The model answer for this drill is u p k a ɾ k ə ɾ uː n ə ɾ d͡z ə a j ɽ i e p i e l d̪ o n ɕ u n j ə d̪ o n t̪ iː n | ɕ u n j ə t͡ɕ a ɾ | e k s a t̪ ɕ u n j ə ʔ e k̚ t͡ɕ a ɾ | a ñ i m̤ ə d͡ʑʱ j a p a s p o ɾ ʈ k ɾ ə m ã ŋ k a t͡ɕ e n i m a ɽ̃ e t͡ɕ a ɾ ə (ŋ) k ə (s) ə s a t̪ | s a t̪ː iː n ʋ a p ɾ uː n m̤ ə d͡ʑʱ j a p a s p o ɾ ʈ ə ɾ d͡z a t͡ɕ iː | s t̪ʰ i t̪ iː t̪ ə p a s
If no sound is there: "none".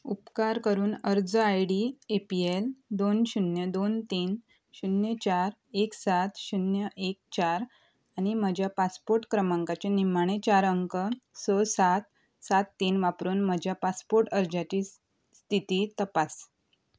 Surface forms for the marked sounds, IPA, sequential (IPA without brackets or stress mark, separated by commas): ŋ, s